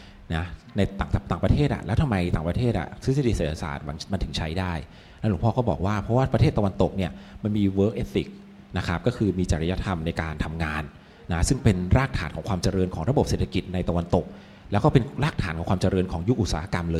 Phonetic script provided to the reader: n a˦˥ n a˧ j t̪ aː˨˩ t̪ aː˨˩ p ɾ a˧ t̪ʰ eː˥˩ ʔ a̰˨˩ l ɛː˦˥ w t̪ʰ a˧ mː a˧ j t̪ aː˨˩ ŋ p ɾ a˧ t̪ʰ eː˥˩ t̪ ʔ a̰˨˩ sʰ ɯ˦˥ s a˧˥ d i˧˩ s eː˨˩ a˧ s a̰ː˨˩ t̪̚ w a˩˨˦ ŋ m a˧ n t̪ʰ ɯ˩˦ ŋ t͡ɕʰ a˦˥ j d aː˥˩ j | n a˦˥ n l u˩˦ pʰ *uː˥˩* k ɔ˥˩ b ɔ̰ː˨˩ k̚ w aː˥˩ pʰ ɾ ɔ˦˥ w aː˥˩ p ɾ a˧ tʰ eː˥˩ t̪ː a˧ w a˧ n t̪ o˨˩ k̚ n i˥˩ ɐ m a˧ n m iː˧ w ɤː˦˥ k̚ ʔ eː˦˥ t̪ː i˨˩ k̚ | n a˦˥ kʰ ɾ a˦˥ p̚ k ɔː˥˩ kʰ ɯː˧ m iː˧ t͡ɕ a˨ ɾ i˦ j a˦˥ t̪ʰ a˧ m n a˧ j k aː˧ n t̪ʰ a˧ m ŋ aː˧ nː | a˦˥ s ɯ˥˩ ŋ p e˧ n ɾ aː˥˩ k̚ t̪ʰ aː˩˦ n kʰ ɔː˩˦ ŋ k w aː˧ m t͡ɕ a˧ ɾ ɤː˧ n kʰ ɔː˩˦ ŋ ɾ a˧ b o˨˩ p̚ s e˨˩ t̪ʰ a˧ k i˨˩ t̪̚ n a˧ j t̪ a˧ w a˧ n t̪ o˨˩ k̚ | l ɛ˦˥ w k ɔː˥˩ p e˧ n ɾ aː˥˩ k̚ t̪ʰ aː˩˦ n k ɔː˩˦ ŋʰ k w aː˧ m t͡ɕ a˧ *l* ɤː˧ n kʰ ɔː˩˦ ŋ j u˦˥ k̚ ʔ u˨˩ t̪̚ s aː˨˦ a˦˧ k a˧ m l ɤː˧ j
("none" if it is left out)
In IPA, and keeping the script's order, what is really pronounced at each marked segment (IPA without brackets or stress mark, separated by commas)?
ɔː˥˩, ɾ